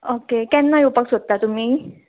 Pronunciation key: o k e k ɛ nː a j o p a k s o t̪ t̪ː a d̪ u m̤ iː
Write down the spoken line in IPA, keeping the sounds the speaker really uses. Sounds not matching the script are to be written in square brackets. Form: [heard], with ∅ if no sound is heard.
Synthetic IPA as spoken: o k e k ɛ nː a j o p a k s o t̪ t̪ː a [t̪] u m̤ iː

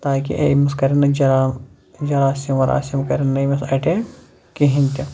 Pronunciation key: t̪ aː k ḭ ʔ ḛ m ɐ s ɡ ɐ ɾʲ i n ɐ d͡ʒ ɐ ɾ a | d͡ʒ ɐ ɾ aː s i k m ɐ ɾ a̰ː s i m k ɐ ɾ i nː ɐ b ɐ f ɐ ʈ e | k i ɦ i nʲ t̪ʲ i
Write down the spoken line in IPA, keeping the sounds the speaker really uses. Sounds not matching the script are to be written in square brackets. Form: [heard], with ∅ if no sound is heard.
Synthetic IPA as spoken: t̪ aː k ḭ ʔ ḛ m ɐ s [k] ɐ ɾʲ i n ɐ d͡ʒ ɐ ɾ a | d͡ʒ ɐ ɾ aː s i [∅] m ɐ ɾ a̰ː s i m k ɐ ɾ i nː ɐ [m] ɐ [s] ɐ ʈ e | k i ɦ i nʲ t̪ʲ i

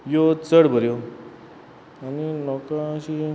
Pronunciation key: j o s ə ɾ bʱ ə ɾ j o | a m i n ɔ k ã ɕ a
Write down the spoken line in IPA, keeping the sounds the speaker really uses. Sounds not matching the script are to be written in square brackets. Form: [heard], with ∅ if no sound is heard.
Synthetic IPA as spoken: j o [t͡s] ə [ɽ] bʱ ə ɾ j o | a [n] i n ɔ k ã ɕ [i]

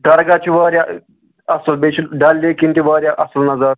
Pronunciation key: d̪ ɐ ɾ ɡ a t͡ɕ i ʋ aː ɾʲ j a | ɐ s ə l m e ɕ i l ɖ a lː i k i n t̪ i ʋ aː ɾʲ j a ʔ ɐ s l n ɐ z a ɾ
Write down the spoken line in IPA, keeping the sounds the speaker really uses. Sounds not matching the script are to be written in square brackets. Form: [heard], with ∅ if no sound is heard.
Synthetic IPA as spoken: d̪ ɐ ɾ ɡ a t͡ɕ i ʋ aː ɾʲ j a | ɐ s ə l [b] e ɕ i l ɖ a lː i k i n t̪ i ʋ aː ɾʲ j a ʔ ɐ s l n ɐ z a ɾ

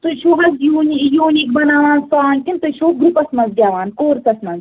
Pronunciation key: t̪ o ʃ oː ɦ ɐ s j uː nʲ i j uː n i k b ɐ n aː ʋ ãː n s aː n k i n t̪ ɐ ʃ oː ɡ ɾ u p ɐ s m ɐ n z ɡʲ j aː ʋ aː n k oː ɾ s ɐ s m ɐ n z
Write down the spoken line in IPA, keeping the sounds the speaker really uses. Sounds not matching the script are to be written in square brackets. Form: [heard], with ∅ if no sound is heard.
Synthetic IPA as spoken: t̪ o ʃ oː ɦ ɐ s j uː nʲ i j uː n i k b ɐ n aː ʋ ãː n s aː n k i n t̪ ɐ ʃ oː ɡ ɾ u p ɐ s m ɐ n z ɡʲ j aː ʋ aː n k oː ɾ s ɐ s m ɐ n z

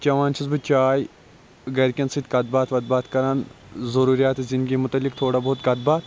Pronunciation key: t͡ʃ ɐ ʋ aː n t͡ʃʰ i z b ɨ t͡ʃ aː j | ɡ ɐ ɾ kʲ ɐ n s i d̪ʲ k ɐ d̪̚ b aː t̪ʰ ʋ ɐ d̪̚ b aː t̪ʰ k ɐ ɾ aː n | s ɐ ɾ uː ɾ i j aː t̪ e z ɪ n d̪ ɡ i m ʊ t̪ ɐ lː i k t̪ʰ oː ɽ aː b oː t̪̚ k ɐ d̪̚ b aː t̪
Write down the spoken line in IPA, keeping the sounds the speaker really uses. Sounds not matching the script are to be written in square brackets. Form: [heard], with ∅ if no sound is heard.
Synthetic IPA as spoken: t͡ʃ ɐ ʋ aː n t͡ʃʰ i z b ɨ t͡ʃ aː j | ɡ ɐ ɾ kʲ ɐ n s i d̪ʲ k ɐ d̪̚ b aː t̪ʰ ʋ ɐ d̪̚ b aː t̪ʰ k ɐ ɾ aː n | [z] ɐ ɾ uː ɾ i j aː t̪ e z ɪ n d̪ ɡ i m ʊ t̪ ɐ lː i k t̪ʰ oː ɽ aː b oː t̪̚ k ɐ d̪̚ b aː t̪

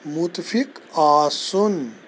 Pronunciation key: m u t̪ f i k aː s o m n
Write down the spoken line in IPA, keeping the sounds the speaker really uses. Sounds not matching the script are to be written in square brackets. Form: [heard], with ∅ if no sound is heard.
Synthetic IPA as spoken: m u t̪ f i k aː s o [∅] n

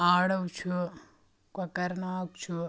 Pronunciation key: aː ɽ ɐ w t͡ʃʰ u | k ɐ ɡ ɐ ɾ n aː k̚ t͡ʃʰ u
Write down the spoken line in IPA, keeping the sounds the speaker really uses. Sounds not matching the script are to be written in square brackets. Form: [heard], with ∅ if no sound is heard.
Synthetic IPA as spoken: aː ɽ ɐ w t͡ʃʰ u | k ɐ [k] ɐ ɾ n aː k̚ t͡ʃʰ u

